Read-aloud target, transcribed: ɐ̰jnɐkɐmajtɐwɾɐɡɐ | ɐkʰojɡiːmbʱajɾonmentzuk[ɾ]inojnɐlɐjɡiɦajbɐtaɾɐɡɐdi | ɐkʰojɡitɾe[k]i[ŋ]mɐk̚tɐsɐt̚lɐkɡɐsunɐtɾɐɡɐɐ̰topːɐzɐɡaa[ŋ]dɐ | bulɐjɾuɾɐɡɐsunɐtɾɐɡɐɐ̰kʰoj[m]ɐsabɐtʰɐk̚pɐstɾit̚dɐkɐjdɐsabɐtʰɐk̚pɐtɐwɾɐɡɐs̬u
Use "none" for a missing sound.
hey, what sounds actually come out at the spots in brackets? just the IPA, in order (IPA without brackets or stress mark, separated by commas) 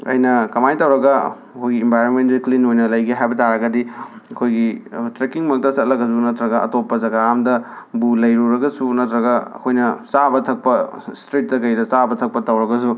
l, k, ŋ, m, n